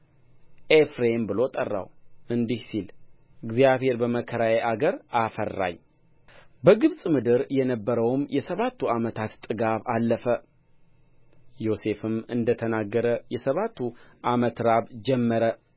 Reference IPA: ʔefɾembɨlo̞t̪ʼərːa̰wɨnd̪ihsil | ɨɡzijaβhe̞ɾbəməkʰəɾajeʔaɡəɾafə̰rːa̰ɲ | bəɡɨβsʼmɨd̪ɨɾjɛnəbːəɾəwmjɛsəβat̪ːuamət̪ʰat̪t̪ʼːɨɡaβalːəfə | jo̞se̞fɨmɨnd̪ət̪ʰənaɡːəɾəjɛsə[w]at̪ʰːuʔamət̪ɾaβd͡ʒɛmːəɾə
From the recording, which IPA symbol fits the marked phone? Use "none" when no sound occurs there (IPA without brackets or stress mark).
β